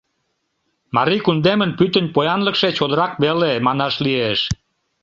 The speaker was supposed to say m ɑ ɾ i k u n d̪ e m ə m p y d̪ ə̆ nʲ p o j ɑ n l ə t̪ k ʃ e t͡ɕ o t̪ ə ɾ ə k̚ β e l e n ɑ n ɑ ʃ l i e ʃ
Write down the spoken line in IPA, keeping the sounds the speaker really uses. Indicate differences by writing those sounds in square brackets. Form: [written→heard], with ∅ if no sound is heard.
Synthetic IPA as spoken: m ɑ ɾ i k u n d̪ e m ə [m→n] p y [d̪→t̪] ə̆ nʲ p o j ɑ n l ə [t̪→∅] k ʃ e t͡ɕ o [t̪→d̪] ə ɾ [ə→ɑ] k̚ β e l e [n→m] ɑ n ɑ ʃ l i e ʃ